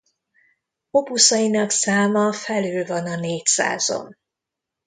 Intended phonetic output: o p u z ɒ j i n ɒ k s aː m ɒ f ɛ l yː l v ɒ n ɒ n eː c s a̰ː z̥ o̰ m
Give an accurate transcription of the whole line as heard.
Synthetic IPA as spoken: o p u s ɒ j i n ɒ k s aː m ɒ f ɛ l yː l v ɒ n ɒ n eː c s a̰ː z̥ o̰ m